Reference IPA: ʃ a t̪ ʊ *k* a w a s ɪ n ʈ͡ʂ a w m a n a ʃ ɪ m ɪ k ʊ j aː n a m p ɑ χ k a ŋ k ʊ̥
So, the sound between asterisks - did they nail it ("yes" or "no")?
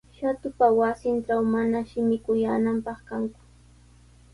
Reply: no